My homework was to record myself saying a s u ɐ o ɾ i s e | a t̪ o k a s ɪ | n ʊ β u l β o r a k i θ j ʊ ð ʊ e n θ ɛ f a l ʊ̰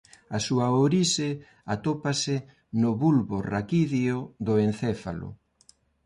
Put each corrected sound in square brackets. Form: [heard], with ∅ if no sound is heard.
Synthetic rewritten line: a s u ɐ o ɾ i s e | a t̪ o [p] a s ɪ | n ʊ β u l β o r a k i [ð] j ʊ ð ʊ e n θ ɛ f a l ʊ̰